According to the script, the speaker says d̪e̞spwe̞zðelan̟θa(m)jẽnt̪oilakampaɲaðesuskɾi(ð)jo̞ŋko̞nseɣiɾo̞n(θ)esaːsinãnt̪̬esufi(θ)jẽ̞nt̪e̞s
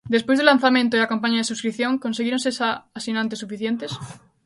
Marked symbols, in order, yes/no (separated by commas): yes, no, no, yes